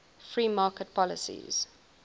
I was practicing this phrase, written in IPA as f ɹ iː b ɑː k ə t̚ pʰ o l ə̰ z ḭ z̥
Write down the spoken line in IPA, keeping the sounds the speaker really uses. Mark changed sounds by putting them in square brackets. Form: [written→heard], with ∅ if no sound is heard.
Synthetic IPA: f ɹ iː [b→m] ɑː k ə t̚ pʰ [o→ɔ] l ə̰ [z→s] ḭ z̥